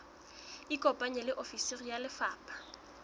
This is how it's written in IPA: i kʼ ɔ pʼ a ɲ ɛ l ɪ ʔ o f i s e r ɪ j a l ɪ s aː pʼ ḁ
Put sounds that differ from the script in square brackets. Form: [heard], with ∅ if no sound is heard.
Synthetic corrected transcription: i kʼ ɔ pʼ a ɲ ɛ l ɪ ʔ o f i s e r [i] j a l ɪ [f] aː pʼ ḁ